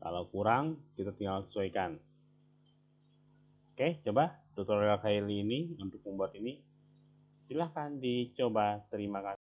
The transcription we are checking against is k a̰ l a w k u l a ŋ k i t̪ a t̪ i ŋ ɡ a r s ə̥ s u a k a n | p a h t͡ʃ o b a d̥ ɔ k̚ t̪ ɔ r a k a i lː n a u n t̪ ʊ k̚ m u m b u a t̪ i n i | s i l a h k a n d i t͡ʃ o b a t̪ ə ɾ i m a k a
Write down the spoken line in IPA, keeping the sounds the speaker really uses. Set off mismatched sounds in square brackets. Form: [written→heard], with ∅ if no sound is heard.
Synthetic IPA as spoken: k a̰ l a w k u [l→ɾ] a ŋ k i t̪ a t̪ i ŋ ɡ a [r→l] s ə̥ s u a k a n | [p→k] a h t͡ʃ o b a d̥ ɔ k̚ t̪ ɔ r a k a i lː n [a→i] u n t̪ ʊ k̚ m u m b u a t̪ i n i | s i l a h k a n d i t͡ʃ o b a t̪ ə ɾ i m a k a